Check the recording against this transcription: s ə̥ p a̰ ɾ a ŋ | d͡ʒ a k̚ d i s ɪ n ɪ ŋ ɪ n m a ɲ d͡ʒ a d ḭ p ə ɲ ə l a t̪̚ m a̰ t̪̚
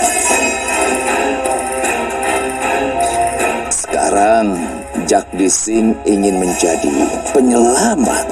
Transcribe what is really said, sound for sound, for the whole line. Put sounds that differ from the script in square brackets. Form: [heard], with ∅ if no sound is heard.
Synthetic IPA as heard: s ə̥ [k] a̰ ɾ a ŋ | d͡ʒ a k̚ d i s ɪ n [i] ŋ ɪ n m [ə] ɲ d͡ʒ a d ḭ p ə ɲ ə l a [∅] m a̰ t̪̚